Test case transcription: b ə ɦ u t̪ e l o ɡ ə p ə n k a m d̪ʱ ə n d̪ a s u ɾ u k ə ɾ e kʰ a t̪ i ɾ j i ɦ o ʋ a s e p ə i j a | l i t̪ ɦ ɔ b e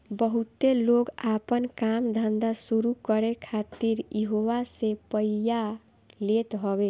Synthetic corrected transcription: b ə ɦ u t̪ e l o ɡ a p ə n k a m d̪ʱ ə n d̪ a s u ɾ u k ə ɾ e kʰ a t̪ i ɾ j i ɦ o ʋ a s e p ə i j a | l e t̪ ɦ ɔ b e